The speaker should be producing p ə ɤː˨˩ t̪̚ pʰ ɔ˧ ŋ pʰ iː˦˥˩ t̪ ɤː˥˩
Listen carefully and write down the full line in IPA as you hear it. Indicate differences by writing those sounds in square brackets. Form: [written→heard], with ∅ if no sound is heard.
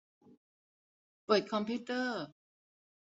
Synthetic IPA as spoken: p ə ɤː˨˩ t̪̚ [pʰ→kʰ] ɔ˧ [ŋ→m] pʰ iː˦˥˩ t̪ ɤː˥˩